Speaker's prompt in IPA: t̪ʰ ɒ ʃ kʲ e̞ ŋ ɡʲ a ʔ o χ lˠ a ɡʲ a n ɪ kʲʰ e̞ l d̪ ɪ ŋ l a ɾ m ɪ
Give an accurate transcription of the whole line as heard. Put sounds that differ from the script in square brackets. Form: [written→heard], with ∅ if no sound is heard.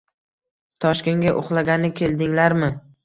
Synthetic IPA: t̪ʰ ɒ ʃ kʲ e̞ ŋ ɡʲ a ʔ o χ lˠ a ɡʲ a n ɪ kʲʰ e̞ l d̪ ɪ ŋ l a ɾ m ɪ